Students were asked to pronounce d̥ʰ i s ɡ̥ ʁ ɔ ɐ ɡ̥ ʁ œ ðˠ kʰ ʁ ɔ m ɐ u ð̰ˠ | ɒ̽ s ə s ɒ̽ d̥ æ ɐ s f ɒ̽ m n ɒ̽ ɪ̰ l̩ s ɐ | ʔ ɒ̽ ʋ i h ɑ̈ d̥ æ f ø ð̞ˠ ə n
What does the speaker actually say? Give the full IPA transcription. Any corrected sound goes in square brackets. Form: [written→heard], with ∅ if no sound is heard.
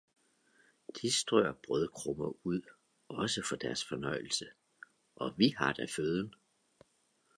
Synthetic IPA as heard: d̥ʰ i s [ɡ̥→d̥] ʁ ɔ ɐ [ɡ̥→b̥] ʁ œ ðˠ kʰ ʁ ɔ m ɐ u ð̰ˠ | ɒ̽ s ə [s→f] ɒ̽ d̥ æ ɐ s f ɒ̽ [m→∅] n ɒ̽ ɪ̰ l̩ s [ɐ→ə] | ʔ ɒ̽ ʋ i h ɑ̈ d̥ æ f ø ð̞ˠ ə n